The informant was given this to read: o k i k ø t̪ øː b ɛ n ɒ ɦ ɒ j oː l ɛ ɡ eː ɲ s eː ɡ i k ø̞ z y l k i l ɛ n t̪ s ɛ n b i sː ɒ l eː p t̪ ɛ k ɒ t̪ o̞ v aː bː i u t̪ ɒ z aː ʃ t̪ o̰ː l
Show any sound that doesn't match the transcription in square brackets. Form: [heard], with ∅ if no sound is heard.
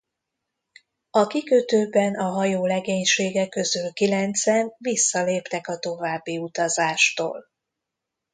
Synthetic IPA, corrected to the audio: [ɒ] k i k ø t̪ øː b ɛ n ɒ ɦ ɒ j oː l ɛ ɡ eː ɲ [ʃ] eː ɡ [ɛ] k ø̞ z y l k i l ɛ n t̪ s ɛ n [v] i sː ɒ l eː p t̪ ɛ k ɒ t̪ o̞ v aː bː i u t̪ ɒ z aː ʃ t̪ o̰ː l